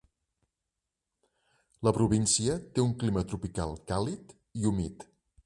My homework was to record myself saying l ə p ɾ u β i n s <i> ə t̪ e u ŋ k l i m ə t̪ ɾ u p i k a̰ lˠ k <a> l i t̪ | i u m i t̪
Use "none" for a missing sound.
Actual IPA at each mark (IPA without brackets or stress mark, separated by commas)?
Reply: i, a